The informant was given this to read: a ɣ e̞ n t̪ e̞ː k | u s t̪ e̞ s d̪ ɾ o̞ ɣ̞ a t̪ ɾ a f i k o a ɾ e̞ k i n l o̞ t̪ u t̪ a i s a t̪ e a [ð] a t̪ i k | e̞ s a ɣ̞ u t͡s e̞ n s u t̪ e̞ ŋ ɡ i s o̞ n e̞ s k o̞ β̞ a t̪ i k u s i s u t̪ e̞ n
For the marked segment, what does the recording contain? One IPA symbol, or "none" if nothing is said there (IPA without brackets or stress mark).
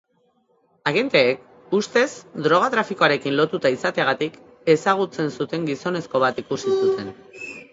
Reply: ɣ